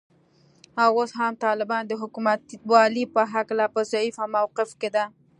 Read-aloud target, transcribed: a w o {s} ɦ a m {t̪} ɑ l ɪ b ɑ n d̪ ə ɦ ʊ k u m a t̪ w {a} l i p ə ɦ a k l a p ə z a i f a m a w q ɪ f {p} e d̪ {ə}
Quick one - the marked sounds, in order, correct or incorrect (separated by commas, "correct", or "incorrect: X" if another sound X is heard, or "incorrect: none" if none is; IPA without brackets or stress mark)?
correct, correct, incorrect: ɑ, incorrect: k, incorrect: a